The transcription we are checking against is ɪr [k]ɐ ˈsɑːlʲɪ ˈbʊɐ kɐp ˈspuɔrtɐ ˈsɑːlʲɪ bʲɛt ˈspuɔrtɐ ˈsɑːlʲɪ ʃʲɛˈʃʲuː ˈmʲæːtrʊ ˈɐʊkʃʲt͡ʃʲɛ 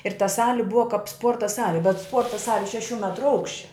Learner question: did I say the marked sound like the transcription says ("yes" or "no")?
no